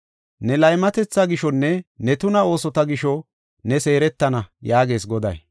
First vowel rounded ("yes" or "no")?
no